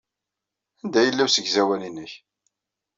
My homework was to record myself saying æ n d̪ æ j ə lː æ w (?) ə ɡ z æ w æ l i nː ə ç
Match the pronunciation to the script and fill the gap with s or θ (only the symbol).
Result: s